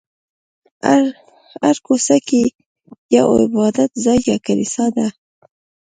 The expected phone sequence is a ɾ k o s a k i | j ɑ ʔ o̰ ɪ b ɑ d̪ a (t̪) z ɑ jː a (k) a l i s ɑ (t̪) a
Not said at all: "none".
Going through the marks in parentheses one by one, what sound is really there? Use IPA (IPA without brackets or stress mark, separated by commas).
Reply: t̪, k, d̪